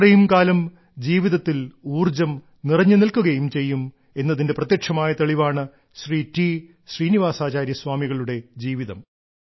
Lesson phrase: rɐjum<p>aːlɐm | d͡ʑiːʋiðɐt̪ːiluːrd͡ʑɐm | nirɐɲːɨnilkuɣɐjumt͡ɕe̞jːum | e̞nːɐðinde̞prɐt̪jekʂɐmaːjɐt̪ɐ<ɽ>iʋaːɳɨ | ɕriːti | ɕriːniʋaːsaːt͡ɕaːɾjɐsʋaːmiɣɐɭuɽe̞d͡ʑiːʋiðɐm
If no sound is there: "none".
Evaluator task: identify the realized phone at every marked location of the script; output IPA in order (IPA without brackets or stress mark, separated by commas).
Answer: k, ɭ